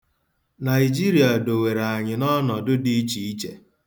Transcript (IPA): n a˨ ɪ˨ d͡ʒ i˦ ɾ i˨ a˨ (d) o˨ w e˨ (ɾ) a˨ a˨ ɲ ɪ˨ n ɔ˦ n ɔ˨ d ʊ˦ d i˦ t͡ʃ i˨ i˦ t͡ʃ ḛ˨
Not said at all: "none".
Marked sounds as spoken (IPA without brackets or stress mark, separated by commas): d, ɾ